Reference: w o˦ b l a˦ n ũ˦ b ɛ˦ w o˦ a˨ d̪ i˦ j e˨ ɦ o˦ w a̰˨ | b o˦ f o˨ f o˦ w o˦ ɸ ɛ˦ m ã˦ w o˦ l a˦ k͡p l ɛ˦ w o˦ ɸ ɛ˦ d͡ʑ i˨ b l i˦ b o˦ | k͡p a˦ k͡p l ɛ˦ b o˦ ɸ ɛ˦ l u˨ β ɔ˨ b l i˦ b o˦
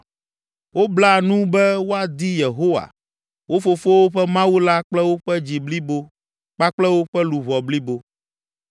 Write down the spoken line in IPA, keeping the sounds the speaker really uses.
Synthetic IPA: w o˦ b l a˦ n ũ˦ b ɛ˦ w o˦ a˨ d̪ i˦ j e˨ ɦ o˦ w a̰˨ | w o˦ f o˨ f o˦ w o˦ ɸ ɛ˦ m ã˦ w u˦ l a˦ k͡p l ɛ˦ w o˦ ɸ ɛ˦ d͡ʑ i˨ b l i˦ b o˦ | k͡p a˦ k͡p l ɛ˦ w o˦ ɸ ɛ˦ l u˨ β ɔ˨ b l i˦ b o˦